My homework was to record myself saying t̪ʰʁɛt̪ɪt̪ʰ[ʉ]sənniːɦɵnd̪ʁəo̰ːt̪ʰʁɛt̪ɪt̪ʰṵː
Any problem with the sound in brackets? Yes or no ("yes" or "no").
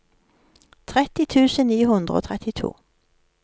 yes